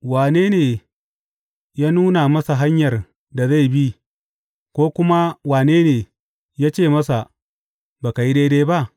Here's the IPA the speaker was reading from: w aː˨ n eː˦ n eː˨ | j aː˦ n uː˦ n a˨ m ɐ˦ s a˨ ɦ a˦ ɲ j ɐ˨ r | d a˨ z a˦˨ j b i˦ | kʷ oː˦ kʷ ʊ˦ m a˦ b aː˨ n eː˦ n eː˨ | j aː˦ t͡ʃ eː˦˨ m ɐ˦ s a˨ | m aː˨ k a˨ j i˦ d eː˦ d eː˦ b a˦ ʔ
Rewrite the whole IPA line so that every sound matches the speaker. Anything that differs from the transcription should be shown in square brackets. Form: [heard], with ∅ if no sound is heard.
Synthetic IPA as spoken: w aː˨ n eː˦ n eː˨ | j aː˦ n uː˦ n a˨ m ɐ˦ s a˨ ɦ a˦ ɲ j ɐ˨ r | d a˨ z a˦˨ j b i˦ | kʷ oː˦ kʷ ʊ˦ m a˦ [w] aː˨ n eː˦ n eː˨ | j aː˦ t͡ʃ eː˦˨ m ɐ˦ s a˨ | [b] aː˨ k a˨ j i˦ d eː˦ d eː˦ b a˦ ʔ